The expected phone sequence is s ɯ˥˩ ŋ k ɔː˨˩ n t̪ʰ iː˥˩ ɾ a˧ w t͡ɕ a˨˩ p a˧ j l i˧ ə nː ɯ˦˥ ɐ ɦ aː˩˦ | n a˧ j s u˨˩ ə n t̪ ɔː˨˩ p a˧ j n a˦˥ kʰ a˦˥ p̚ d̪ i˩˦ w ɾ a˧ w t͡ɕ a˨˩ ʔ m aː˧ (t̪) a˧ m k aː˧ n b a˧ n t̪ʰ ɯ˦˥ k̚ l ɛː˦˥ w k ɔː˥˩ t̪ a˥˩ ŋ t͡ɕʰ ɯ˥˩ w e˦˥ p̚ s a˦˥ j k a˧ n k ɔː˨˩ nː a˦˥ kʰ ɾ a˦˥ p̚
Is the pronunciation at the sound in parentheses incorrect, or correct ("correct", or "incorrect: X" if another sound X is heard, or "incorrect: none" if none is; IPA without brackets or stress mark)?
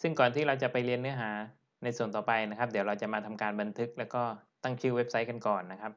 incorrect: t̪ʰ